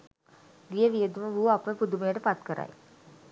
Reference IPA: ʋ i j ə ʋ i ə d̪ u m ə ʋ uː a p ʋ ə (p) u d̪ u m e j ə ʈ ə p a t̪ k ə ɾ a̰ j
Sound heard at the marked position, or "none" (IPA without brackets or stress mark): p